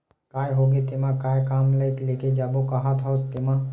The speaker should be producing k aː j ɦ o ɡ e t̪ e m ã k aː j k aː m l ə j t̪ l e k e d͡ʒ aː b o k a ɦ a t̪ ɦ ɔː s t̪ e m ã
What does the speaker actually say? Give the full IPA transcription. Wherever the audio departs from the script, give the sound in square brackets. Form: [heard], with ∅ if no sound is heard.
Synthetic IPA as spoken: k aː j ɦ o ɡ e t̪ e m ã k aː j k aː m l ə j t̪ l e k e d͡ʒ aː b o k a ɦ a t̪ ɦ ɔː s t̪ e m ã